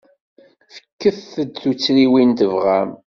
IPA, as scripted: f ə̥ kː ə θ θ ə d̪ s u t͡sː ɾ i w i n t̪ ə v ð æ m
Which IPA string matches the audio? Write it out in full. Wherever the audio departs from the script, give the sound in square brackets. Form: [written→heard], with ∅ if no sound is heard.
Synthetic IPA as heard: f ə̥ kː ə θ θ ə d̪ [s→θ] u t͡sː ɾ i w i n t̪ ə v [ð→ʁ] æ m